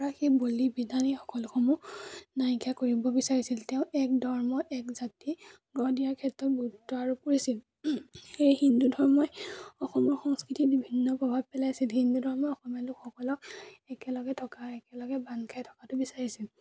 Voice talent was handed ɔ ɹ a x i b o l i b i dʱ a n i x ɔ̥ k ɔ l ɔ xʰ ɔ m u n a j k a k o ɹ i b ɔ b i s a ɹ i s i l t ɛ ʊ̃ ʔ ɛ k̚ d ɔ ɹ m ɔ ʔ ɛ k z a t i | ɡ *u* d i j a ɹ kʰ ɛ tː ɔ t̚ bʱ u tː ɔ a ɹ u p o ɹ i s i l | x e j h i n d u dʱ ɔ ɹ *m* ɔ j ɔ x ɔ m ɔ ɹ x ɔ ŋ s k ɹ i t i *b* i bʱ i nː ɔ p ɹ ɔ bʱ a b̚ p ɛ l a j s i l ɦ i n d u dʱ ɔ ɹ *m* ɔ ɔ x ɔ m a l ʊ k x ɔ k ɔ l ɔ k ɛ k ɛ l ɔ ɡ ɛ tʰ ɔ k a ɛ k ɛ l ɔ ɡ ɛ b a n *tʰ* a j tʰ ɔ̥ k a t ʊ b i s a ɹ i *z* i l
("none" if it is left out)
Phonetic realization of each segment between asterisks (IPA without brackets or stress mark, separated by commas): ɔ, m, b, m, kʰ, s